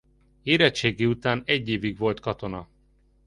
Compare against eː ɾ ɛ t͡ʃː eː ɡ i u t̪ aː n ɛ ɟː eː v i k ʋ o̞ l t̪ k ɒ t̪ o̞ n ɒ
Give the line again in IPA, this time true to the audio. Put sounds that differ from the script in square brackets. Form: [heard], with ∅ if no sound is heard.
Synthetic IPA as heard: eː ɾ ɛ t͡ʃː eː ɡ i u t̪ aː n ɛ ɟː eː v i [ɡ] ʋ o̞ l t̪ k ɒ t̪ o̞ n ɒ